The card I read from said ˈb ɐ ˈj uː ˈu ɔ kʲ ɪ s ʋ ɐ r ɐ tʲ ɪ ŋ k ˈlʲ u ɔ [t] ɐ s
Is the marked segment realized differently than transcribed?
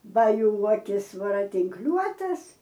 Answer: no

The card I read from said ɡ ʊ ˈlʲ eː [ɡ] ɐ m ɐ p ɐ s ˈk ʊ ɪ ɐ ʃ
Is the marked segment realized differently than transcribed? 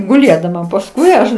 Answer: yes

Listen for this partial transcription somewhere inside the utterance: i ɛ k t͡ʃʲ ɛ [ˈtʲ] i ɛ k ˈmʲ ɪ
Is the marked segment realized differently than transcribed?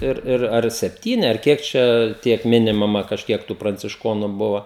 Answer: no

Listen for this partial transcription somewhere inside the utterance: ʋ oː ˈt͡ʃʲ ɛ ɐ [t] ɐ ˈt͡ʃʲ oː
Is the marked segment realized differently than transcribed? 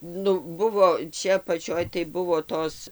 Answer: yes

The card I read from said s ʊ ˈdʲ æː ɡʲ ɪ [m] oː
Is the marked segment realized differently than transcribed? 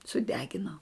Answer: yes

